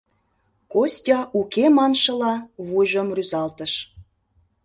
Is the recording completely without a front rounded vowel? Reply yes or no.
no